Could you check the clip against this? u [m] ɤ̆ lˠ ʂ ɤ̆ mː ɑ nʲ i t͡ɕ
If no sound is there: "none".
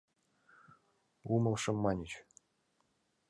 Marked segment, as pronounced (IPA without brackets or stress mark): m